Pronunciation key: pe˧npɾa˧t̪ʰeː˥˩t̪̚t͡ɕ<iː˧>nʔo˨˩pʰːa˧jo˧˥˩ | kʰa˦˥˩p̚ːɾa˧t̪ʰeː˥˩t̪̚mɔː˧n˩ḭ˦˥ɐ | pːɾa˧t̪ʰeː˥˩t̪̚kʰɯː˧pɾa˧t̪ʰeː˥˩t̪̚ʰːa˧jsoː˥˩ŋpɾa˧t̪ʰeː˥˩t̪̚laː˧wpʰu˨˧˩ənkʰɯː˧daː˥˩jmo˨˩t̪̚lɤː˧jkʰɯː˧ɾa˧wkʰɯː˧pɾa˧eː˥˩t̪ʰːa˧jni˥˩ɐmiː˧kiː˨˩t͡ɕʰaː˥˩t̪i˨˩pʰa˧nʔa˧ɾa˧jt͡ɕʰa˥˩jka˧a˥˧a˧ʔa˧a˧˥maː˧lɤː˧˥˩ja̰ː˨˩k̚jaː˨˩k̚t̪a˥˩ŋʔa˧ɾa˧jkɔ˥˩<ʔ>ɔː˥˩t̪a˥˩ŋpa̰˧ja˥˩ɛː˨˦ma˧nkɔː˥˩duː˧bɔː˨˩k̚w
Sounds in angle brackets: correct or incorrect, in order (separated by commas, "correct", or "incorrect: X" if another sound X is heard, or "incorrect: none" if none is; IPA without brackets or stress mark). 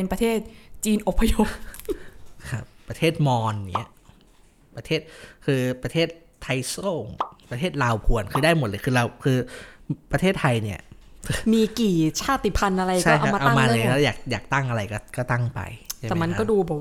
correct, incorrect: k